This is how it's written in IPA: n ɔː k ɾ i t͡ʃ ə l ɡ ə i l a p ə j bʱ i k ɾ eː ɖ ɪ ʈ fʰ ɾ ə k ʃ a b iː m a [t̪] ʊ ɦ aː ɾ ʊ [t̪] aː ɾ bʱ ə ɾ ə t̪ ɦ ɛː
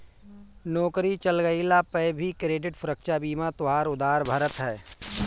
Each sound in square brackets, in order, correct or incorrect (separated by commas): correct, incorrect